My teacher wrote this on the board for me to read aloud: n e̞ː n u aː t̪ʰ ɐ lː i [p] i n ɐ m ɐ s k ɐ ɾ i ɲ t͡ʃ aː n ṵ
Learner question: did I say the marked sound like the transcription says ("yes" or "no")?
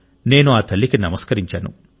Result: no